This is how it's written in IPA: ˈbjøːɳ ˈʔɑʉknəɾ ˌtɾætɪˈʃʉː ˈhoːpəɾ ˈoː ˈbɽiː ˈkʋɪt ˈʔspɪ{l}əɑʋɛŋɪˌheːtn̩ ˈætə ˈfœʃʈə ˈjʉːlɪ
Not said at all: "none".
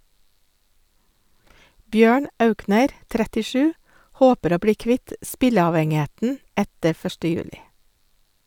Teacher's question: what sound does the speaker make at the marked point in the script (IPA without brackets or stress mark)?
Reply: l